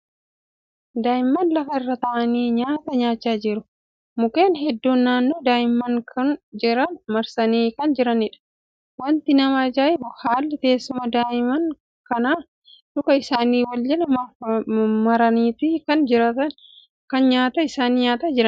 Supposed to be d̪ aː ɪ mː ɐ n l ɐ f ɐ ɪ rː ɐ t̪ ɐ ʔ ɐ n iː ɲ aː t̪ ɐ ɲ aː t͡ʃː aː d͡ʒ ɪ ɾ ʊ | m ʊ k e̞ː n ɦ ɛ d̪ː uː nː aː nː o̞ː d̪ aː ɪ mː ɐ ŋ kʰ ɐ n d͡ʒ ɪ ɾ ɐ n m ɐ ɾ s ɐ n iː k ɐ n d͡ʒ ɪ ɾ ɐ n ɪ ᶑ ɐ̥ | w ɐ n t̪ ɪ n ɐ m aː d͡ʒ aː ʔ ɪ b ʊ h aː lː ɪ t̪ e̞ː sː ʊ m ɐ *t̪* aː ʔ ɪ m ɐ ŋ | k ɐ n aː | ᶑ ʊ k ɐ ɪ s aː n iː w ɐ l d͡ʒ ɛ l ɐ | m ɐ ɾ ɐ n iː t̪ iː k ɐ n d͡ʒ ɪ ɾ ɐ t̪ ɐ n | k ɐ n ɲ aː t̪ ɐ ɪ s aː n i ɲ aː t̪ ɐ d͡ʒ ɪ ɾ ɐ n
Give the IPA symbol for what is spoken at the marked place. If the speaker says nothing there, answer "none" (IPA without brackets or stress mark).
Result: d̪